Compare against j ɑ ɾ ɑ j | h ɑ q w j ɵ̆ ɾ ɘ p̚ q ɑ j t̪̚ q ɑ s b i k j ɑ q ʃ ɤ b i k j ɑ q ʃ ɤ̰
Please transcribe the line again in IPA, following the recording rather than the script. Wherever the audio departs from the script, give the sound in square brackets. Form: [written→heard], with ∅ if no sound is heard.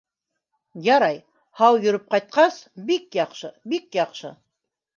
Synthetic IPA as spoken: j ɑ ɾ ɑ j | h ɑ [q→∅] w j ɵ̆ ɾ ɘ p̚ q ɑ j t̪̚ q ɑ s b i k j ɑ q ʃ ɤ b i k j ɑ q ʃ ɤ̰